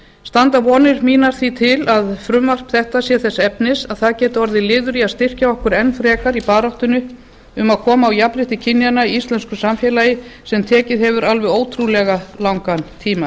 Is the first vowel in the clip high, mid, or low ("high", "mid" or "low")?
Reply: low